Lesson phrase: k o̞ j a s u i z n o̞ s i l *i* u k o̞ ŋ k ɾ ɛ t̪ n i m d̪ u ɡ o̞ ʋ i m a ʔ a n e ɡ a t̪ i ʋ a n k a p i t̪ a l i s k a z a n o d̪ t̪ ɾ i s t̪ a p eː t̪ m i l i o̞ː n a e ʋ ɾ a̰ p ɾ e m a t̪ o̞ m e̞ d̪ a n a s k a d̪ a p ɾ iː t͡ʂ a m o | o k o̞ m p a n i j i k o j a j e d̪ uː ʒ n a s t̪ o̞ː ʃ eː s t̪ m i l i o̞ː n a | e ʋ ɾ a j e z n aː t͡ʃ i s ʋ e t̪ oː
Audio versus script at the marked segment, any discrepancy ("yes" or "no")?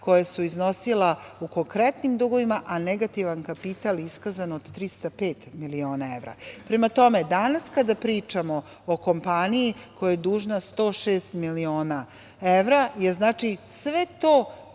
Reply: yes